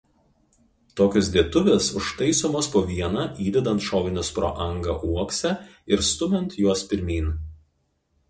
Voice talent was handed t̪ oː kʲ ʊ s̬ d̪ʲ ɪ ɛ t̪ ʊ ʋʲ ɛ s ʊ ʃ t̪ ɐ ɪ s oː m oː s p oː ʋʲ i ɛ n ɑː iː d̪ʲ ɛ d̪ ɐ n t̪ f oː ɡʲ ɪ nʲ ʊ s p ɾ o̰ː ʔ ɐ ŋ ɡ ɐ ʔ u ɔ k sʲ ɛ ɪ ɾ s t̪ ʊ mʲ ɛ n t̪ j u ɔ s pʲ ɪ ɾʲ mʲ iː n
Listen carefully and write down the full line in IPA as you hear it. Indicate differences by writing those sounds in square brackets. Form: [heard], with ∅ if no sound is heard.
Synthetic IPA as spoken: t̪ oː kʲ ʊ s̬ d̪ʲ [i] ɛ t̪ ʊ ʋʲ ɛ s ʊ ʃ t̪ ɐ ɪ s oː m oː s p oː ʋʲ i ɛ n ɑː iː d̪ʲ ɛ d̪ ɐ n t̪ [ʃ] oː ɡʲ ɪ nʲ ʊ s p ɾ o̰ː ʔ ɐ ŋ ɡ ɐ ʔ u ɔ k sʲ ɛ ɪ ɾ s t̪ ʊ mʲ ɛ n t̪ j u ɔ s pʲ ɪ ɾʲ mʲ iː n

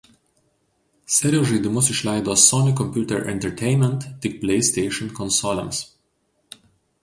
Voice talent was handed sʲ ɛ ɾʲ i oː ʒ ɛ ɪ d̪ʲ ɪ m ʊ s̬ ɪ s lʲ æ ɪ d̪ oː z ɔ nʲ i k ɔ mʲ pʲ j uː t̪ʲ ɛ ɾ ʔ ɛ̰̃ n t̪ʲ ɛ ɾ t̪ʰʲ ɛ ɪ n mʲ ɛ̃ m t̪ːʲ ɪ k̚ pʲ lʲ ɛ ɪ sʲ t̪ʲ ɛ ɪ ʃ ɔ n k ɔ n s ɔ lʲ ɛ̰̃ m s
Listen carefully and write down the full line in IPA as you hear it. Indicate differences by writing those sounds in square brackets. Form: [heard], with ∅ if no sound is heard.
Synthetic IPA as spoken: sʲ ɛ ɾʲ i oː ʒ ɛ ɪ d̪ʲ ɪ m ʊ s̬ ɪ [ʃ] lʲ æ ɪ d̪ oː [s] ɔ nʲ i k ɔ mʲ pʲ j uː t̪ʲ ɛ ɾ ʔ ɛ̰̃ n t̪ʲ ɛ ɾ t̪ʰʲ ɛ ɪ n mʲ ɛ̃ [n] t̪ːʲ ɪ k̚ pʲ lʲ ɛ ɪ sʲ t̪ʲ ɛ ɪ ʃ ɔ n k ɔ n s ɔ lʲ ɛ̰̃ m s

